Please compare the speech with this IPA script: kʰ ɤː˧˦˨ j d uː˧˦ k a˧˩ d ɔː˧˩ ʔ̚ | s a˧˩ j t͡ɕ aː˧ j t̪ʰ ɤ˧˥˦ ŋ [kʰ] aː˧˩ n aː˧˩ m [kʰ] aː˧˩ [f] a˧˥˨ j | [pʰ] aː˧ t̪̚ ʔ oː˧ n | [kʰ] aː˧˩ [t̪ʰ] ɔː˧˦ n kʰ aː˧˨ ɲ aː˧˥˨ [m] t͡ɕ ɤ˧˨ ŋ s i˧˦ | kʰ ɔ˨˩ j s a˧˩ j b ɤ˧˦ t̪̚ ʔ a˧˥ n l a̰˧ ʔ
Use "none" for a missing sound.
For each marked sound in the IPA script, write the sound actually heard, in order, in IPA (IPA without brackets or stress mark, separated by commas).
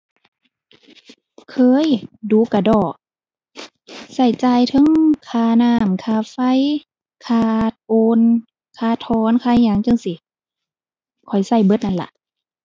kʰ, kʰ, f, kʰ, kʰ, t̪ʰ, ŋ